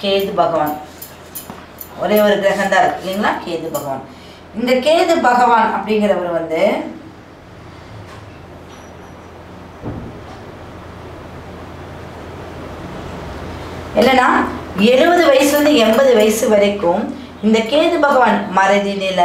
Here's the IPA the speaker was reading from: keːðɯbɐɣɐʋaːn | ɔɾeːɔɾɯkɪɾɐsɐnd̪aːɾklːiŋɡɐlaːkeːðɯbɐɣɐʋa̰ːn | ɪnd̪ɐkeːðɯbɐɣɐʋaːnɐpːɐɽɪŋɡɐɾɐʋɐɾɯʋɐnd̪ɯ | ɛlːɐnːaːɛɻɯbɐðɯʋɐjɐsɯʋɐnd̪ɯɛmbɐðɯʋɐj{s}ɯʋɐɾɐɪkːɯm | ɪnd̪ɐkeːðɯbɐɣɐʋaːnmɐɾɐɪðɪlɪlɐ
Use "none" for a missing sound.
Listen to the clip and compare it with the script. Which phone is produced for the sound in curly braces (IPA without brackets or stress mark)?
s